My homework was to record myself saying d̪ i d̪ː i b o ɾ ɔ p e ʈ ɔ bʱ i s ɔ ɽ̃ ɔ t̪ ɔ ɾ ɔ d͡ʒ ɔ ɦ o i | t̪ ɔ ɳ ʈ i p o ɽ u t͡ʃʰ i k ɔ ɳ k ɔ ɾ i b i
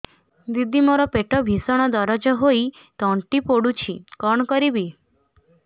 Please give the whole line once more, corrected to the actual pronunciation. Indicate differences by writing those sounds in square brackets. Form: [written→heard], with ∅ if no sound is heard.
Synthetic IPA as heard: d̪ i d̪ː i [b→m] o ɾ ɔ p e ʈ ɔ bʱ i s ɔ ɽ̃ ɔ [t̪→d̪] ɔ ɾ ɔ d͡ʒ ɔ ɦ o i | t̪ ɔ ɳ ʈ i p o ɽ u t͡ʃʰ i k ɔ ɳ k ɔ ɾ i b i